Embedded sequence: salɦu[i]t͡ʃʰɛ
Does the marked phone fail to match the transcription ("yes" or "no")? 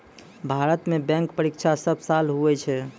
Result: yes